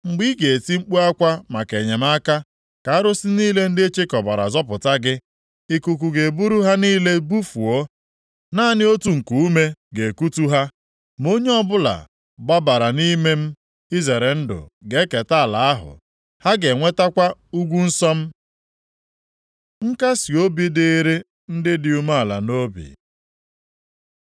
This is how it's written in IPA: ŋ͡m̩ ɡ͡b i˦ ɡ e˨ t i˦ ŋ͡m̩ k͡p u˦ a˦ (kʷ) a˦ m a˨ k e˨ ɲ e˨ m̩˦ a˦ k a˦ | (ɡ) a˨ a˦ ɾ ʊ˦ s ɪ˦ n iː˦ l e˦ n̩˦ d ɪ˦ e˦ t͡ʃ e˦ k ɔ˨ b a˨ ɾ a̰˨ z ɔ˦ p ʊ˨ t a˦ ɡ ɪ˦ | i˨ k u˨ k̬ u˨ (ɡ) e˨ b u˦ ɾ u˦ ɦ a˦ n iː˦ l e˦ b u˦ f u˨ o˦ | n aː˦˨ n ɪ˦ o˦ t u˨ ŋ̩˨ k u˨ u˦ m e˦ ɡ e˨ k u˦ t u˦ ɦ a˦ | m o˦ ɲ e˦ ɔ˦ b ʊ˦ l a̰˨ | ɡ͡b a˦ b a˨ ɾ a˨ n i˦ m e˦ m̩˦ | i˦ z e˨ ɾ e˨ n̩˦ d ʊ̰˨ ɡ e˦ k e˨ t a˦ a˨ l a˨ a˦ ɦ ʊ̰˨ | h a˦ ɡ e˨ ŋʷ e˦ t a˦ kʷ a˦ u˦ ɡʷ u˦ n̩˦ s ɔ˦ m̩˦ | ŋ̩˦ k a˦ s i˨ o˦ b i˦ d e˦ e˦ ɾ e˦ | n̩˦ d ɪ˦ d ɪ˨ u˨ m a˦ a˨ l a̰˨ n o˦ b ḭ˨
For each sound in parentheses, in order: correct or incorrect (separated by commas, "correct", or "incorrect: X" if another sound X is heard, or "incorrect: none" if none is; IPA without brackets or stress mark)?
correct, incorrect: k, correct